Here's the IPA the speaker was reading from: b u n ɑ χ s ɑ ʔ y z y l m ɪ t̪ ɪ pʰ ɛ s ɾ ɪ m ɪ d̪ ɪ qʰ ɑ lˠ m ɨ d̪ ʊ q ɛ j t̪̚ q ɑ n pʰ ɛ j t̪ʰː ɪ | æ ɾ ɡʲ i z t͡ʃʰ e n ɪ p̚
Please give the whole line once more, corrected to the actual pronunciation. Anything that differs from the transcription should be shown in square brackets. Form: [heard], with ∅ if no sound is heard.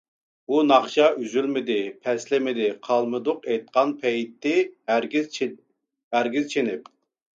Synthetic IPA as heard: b u n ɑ χ [ʃ] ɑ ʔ y z y l m ɪ [d̪] ɪ pʰ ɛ s [l] ɪ m ɪ d̪ ɪ qʰ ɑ lˠ m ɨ d̪ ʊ q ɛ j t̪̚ q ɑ n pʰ ɛ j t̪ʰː ɪ | æ ɾ ɡʲ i z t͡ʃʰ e n ɪ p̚